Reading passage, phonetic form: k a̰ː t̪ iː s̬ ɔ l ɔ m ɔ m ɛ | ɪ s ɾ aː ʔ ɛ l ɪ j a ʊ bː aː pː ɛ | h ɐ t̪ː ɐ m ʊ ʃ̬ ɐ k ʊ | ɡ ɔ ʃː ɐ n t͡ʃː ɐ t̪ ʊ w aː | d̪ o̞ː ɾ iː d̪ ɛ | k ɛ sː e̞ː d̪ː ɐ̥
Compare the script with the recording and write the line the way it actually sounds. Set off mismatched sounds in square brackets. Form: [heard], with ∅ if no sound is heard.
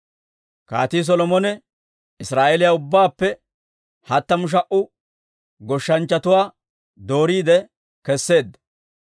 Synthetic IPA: k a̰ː t̪ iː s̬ ɔ l ɔ m ɔ [n] ɛ | ɪ s ɾ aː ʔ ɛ l ɪ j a ʊ bː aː pː ɛ | h ɐ t̪ː ɐ m ʊ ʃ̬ ɐ [ʔ] ʊ | ɡ ɔ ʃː ɐ n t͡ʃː ɐ t̪ ʊ w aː | d̪ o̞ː ɾ iː d̪ ɛ | k ɛ sː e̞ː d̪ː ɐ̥